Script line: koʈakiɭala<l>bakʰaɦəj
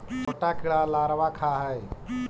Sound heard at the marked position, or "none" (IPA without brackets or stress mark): ɾ